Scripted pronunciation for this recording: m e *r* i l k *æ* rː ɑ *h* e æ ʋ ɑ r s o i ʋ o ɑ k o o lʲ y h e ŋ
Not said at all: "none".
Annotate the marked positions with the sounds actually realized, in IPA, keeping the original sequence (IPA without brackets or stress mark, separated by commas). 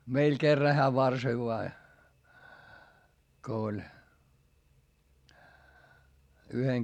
none, e, h